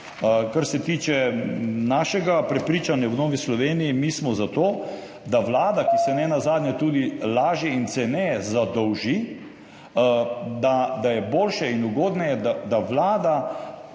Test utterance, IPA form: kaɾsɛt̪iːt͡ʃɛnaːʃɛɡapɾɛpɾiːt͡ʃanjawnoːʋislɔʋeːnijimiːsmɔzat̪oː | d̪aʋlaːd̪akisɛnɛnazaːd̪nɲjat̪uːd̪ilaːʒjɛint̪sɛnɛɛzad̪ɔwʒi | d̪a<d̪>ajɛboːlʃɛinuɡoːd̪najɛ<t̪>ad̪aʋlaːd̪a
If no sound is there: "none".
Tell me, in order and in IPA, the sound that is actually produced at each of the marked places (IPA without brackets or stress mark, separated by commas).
d̪, d̪